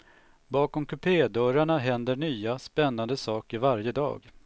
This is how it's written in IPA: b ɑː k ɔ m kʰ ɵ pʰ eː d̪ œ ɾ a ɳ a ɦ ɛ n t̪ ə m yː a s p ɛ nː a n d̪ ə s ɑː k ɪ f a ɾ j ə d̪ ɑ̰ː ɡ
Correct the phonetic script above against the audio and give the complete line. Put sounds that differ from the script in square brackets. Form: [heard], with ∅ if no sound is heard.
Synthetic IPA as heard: b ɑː k ɔ m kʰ ɵ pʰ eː d̪ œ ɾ a ɳ a ɦ ɛ n [d̪] ə [ɳ] yː a s p ɛ nː a n d̪ ə s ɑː k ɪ [v] a ɾ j ə d̪ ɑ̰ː ɡ